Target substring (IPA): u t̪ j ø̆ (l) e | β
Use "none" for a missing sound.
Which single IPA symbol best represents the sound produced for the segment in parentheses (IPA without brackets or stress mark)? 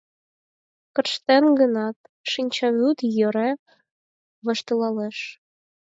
ɾ